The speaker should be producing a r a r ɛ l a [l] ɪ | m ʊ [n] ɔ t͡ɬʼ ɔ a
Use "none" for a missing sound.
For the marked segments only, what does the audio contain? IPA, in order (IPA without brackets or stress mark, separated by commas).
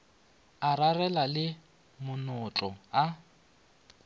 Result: l, n